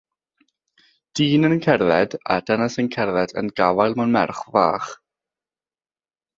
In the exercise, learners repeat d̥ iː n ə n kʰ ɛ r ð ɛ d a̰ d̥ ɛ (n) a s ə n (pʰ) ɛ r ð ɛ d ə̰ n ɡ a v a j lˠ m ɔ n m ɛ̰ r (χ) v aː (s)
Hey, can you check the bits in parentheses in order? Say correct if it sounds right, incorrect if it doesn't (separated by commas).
correct, incorrect, correct, incorrect